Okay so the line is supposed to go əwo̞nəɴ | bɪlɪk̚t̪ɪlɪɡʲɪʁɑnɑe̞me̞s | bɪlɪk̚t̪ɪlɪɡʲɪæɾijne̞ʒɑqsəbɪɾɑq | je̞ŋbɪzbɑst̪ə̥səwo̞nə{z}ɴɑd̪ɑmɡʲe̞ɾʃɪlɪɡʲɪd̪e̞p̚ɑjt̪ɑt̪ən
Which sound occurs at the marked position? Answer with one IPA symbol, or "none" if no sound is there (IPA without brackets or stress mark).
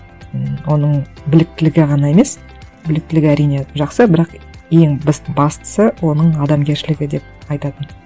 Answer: none